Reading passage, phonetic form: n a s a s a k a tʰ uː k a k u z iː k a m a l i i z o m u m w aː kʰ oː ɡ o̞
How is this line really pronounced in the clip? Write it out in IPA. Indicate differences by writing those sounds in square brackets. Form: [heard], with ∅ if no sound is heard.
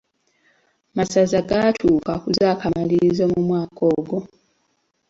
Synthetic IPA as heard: [m] a s a [z] a [ɡ] a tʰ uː k a k u z [aː] k a m a l i i z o m u m w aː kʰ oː ɡ o̞